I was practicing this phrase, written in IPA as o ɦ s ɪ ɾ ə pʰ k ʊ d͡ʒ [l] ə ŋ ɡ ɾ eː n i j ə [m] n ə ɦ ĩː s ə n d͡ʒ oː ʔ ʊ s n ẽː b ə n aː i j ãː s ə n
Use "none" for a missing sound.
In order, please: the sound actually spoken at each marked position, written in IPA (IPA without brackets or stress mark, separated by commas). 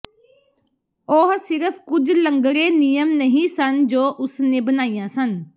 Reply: l, m